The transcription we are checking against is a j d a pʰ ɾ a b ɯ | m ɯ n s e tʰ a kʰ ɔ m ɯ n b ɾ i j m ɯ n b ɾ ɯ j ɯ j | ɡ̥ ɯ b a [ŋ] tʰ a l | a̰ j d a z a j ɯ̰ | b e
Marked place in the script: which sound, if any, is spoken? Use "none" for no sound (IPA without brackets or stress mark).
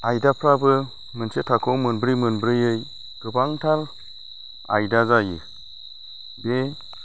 ŋ